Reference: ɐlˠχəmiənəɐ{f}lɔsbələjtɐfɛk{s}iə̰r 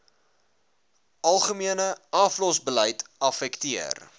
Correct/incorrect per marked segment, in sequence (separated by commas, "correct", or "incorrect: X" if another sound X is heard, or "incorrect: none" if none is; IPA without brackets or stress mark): correct, incorrect: t